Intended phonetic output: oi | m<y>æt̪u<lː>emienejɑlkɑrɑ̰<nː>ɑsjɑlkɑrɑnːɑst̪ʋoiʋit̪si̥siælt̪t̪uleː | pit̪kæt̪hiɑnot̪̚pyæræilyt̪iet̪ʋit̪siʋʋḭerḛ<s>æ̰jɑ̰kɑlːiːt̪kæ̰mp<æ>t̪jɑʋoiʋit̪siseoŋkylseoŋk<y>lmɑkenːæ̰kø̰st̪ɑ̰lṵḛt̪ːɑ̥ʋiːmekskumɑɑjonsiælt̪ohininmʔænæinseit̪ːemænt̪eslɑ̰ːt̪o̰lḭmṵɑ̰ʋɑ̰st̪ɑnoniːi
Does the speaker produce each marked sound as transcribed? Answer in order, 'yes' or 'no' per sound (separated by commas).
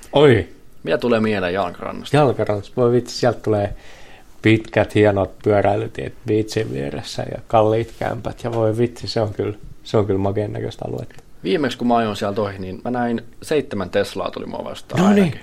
no, no, yes, no, yes, yes